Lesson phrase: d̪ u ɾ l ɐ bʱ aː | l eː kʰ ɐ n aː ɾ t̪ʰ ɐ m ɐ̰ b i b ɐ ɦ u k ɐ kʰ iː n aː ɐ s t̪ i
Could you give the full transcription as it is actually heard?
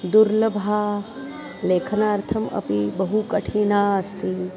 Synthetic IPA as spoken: d̪ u ɾ l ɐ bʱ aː | l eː kʰ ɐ n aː ɾ t̪ʰ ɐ m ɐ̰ p i b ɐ ɦ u k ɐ ʈʰ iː n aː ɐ s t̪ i